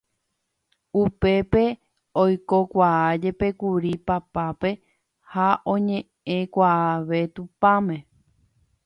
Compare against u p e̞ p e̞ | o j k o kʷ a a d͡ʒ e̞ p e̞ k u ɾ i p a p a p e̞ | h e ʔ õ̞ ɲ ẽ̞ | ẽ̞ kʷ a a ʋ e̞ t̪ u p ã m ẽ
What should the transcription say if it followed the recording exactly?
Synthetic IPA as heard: u p e̞ p e̞ | o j k o kʷ a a d͡ʒ e̞ p e̞ k u ɾ i p a p a p e̞ | h a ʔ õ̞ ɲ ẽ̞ | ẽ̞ kʷ a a ʋ e̞ t̪ u p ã m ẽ